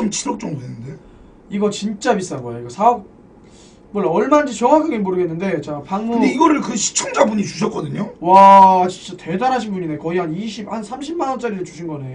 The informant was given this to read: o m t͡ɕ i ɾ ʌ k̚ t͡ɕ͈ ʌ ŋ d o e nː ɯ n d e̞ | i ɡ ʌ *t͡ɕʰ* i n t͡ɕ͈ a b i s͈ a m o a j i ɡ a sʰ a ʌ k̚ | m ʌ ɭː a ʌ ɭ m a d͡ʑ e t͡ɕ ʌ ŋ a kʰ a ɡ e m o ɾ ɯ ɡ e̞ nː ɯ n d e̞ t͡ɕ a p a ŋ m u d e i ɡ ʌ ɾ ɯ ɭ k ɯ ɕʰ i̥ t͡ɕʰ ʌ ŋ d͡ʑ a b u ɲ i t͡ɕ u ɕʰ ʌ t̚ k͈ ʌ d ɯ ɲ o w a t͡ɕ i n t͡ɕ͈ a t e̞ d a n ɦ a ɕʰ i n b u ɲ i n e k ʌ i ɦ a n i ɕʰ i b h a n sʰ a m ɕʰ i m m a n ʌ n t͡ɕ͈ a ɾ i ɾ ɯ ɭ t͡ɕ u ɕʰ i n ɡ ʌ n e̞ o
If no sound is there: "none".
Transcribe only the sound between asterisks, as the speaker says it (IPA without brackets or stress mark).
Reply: t͡ɕ